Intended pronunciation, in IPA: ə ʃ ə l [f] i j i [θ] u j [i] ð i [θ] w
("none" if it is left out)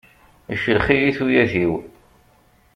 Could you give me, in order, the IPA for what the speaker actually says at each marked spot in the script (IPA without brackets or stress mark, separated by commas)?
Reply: χ, θ, æ, none